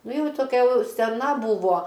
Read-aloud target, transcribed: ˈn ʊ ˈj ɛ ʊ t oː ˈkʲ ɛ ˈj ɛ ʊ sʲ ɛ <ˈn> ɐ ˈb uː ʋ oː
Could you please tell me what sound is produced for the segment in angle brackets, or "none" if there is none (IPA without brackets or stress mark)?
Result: n